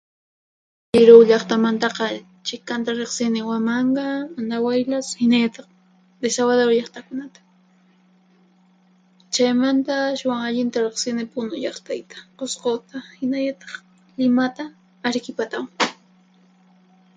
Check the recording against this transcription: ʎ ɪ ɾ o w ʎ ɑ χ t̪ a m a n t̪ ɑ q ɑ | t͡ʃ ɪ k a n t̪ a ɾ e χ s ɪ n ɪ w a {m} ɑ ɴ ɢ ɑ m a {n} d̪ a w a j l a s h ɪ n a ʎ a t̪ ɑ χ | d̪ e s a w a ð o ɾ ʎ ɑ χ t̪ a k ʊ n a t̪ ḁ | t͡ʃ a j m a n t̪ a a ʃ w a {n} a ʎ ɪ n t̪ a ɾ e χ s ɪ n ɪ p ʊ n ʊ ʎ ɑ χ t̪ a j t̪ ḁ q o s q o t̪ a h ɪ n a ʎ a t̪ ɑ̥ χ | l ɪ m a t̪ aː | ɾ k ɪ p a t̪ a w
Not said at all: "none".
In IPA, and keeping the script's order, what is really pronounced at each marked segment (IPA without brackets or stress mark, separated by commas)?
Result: m, n, ŋ